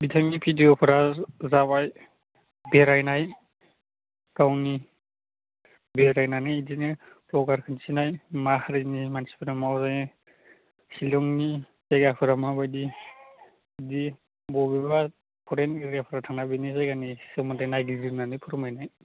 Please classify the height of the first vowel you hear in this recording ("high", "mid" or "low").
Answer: high